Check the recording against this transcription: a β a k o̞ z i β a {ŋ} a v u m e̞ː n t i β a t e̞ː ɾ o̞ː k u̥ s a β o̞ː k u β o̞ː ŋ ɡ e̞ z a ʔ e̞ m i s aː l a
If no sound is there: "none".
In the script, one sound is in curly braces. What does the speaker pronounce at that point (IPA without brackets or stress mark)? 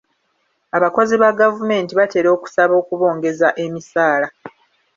ɡ